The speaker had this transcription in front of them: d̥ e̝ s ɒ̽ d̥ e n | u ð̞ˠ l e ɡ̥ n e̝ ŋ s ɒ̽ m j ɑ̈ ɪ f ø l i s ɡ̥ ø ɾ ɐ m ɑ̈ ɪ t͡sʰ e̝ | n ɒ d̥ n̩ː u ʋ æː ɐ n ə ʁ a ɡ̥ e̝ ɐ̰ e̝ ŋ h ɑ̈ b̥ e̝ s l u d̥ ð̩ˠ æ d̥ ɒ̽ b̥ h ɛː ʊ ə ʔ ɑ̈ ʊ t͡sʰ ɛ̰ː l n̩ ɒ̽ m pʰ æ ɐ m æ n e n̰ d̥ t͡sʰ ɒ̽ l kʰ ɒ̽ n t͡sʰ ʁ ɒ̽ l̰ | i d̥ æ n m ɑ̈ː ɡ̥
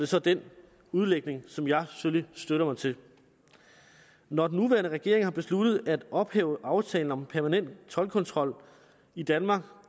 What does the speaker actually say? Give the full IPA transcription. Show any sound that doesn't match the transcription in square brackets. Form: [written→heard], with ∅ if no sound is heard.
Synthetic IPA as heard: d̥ e̝ s ɒ̽ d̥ e n | u ð̞ˠ l e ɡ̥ n e̝ ŋ s ɒ̽ m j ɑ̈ ɪ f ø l i s [ɡ̥→d̥] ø ɾ ɐ m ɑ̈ ɪ t͡sʰ e̝ | n ɒ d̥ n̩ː u ʋ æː ɐ n ə ʁ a ɡ̥ e̝ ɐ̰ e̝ ŋ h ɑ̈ b̥ e̝ s l u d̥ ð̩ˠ æ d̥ ɒ̽ b̥ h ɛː ʊ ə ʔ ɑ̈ ʊ t͡sʰ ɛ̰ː l n̩ ɒ̽ m pʰ æ ɐ m æ n e n̰ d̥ t͡sʰ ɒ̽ l kʰ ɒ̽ n t͡sʰ ʁ ɒ̽ l̰ | i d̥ æ n m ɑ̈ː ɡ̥

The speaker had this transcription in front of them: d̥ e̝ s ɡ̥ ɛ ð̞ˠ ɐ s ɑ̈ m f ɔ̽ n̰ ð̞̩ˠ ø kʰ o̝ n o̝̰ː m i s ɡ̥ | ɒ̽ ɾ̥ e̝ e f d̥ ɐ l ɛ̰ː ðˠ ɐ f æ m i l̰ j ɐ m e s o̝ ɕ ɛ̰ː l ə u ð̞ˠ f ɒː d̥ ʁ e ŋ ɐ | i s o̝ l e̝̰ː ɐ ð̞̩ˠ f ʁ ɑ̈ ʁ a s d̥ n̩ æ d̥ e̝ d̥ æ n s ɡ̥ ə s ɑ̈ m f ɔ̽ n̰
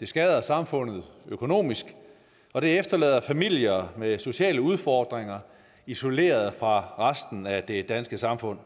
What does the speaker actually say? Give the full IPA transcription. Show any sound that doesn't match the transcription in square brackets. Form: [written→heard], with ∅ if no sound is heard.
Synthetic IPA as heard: d̥ e̝ s ɡ̥ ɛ ð̞ˠ ɐ s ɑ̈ m f ɔ̽ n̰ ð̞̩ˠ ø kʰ o̝ n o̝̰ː m i s ɡ̥ | ɒ̽ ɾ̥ e̝ e f d̥ ɐ l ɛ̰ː ðˠ ɐ f æ m i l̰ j ɐ m e s o̝ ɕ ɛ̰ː l ə u ð̞ˠ f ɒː d̥ ʁ e ŋ ɐ | i s o̝ l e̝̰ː ɐ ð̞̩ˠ f ʁ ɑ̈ ʁ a s d̥ n̩ æ d̥ e̝ d̥ æ n s ɡ̥ ə s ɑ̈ m f ɔ̽ n̰

